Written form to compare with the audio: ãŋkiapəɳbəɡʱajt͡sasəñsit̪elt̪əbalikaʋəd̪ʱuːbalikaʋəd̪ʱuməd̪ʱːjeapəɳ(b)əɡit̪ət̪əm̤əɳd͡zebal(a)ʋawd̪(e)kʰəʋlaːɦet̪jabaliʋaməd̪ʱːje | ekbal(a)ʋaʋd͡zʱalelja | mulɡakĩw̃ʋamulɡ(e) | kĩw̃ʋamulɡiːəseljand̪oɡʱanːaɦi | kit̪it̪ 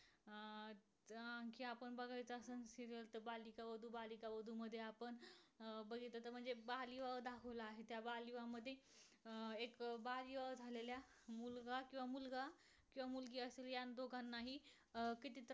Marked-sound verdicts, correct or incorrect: correct, incorrect, incorrect, incorrect, incorrect

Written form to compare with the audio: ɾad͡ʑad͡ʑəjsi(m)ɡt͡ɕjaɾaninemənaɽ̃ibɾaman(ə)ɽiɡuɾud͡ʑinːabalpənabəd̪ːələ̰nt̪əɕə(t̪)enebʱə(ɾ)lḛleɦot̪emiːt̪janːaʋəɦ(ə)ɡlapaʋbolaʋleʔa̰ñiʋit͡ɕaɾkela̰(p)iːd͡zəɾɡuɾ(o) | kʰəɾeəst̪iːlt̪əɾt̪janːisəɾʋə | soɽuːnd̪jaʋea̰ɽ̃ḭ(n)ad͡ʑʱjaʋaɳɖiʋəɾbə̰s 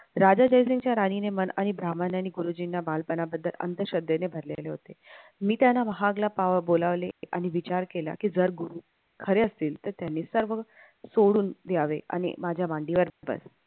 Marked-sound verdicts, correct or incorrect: incorrect, incorrect, incorrect, correct, incorrect, incorrect, incorrect, incorrect

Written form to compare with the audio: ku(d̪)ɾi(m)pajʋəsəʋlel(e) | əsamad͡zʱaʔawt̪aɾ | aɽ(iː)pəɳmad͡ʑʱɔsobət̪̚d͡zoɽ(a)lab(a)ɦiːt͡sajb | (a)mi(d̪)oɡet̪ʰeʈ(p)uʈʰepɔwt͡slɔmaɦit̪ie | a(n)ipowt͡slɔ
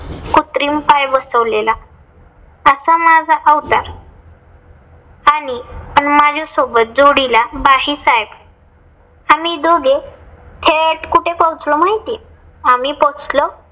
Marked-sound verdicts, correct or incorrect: incorrect, correct, incorrect, incorrect, incorrect, correct, correct, correct, incorrect, incorrect

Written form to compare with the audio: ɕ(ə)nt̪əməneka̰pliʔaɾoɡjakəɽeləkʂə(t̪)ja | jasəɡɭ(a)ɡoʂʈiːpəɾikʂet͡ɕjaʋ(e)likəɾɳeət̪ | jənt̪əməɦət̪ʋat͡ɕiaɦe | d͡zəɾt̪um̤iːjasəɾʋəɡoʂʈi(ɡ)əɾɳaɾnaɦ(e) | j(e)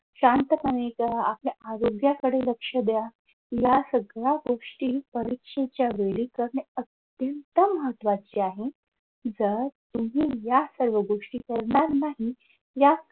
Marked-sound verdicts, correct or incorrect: incorrect, incorrect, correct, correct, incorrect, incorrect, incorrect

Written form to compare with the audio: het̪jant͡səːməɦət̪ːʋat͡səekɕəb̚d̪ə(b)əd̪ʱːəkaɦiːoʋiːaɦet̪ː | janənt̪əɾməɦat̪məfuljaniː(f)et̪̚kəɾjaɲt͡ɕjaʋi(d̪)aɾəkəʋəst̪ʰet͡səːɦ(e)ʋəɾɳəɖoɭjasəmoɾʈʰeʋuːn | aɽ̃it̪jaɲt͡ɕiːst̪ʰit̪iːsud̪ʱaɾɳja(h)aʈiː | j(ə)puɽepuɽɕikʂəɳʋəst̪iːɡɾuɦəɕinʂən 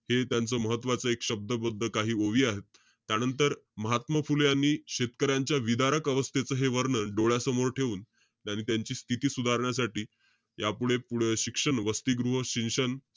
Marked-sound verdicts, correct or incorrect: correct, incorrect, correct, correct, incorrect, incorrect

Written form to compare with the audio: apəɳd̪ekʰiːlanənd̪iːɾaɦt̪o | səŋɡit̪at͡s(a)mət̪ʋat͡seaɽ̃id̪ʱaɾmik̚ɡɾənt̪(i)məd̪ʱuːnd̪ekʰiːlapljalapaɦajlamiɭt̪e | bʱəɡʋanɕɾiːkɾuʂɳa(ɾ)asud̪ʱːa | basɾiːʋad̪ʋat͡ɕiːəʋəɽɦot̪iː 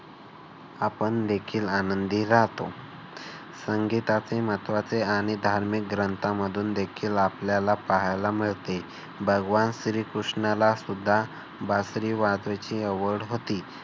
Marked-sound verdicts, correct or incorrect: incorrect, incorrect, incorrect

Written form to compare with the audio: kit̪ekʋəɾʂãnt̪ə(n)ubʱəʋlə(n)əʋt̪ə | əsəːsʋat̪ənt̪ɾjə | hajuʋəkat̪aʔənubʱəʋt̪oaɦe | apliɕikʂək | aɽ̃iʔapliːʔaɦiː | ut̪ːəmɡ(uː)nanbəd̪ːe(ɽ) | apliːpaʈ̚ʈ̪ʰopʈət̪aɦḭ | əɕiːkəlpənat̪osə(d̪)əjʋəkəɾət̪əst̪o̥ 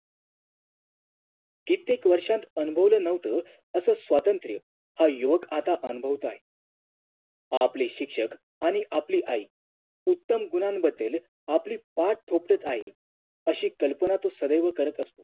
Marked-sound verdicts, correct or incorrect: correct, correct, incorrect, incorrect, correct

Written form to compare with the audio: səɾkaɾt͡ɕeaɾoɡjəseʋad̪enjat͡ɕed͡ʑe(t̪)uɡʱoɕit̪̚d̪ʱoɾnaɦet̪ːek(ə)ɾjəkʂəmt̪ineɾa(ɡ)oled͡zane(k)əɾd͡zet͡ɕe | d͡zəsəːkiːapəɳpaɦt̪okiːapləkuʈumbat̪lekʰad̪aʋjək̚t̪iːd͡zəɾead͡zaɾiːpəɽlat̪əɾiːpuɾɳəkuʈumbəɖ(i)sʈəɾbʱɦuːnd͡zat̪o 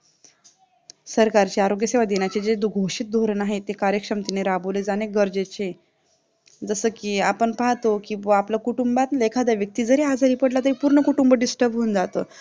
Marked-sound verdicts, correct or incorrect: incorrect, incorrect, incorrect, incorrect, correct

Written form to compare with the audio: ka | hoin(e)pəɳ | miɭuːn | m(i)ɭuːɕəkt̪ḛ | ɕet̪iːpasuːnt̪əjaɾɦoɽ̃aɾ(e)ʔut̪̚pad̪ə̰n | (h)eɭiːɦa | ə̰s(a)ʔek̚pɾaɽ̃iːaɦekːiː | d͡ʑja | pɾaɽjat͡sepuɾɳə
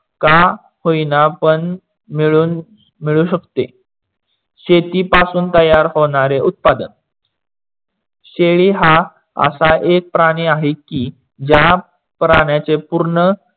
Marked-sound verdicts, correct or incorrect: incorrect, correct, correct, incorrect, correct

